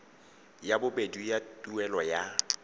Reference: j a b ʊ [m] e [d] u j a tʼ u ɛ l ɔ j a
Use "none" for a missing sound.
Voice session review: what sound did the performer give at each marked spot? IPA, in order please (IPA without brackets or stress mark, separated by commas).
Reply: b, d